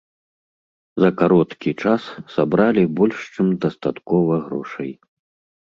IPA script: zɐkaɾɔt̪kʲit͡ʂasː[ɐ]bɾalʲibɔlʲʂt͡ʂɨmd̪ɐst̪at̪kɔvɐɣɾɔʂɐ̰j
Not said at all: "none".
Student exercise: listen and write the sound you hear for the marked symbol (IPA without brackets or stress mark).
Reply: a